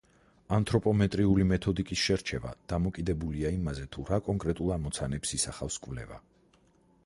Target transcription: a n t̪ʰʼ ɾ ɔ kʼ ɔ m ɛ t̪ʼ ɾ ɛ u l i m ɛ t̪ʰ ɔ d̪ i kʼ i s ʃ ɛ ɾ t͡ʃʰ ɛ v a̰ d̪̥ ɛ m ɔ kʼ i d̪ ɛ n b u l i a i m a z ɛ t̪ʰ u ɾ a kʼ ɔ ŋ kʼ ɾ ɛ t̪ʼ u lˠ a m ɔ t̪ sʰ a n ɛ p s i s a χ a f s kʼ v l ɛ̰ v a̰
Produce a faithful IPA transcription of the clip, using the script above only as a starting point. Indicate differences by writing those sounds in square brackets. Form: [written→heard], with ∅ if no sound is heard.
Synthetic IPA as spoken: a n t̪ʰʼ ɾ ɔ [kʼ→pʼ] ɔ m ɛ t̪ʼ ɾ [ɛ→i] u l i m ɛ t̪ʰ ɔ d̪ i kʼ i s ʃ ɛ ɾ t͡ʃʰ ɛ v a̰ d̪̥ [ɛ→a] m ɔ kʼ i d̪ ɛ [n→∅] b u l i a i m a z ɛ t̪ʰ u ɾ a kʼ ɔ ŋ kʼ ɾ ɛ t̪ʼ u lˠ a m ɔ t̪ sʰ a n ɛ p s i s a χ a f s kʼ v l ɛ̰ v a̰